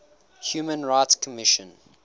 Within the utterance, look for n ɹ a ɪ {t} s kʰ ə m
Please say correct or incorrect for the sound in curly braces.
correct